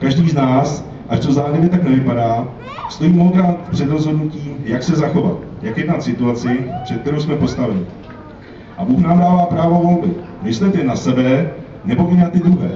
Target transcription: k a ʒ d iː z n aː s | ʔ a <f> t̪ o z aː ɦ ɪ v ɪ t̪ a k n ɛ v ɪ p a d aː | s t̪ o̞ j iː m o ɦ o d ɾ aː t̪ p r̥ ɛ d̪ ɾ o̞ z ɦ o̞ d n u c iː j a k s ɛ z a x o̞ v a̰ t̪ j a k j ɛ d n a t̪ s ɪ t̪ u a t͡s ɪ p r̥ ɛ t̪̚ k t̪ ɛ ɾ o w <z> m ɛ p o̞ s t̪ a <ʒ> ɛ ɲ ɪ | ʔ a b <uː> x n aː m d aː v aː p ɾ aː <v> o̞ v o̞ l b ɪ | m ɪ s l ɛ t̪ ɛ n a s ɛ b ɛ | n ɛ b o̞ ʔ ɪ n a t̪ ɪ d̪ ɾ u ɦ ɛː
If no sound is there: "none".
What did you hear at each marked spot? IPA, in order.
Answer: ʃ, s, v, uː, v

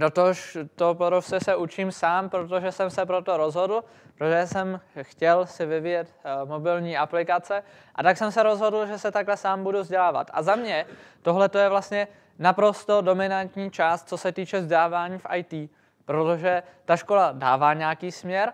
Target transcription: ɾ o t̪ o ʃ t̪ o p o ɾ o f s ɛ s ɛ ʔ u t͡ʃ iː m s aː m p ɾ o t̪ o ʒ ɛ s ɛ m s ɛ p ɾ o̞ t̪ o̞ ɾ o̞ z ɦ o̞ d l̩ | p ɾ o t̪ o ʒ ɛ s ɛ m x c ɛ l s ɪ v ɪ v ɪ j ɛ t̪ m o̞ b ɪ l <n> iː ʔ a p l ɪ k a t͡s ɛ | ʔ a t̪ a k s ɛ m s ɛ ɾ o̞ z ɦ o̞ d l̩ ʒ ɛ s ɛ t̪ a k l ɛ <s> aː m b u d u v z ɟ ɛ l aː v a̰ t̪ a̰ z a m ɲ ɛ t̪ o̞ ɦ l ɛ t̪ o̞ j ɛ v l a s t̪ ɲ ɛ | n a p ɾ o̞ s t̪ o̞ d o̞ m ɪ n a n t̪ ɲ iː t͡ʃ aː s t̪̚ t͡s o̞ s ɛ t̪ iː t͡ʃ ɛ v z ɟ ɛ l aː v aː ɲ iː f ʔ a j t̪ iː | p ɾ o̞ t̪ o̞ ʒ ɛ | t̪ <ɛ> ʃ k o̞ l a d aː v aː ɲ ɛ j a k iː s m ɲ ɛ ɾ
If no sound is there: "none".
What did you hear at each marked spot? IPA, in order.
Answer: ɲ, s, a

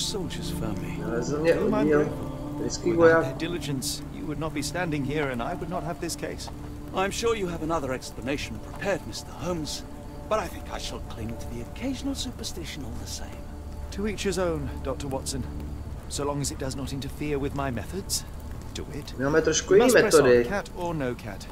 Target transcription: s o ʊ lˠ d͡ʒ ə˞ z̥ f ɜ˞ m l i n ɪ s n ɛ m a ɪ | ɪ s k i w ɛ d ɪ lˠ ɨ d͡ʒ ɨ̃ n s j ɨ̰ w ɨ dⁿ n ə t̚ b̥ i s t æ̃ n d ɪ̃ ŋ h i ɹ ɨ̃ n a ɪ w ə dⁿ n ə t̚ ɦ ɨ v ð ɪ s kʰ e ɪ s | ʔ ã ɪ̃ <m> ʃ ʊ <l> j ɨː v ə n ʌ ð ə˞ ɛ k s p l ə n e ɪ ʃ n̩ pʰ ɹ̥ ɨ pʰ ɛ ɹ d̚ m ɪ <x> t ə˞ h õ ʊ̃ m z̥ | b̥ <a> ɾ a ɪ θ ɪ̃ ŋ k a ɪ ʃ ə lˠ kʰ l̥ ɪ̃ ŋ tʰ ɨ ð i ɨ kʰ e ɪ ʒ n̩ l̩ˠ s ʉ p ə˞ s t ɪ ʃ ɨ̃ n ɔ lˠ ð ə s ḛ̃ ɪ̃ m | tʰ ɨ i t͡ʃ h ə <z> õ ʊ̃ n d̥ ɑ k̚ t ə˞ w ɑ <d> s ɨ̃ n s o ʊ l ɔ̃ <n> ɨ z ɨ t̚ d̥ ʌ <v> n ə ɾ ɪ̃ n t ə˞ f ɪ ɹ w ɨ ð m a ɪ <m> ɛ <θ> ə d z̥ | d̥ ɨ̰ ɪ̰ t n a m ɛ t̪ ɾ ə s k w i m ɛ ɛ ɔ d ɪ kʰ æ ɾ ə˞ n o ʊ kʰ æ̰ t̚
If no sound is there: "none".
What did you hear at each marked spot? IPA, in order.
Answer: m, ɹ, s, ʌ, z, t, ŋ, z, m, θ

